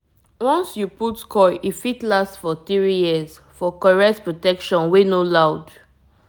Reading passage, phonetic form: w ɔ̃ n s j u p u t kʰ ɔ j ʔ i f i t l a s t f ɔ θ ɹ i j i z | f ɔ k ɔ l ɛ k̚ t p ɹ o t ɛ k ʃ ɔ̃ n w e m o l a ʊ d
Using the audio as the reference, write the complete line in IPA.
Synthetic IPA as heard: w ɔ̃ n s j u p u t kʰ ɔ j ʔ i f i t l a s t f ɔ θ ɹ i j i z | f ɔ k ɔ ɹ ɛ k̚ t p ɹ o t ɛ k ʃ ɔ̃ n w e n o l a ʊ d